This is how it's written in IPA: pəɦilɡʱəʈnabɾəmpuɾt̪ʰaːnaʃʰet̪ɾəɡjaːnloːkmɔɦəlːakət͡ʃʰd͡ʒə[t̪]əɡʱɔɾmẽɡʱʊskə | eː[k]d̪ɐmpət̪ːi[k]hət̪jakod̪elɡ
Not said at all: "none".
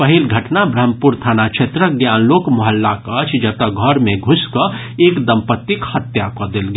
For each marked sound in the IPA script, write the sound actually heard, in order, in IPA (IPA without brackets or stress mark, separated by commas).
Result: t̪, k, k